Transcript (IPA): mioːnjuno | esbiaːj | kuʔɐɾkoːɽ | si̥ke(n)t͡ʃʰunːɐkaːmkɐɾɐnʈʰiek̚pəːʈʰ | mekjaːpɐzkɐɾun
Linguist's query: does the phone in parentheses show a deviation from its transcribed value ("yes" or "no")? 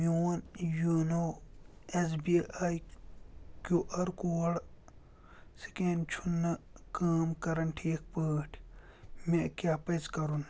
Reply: no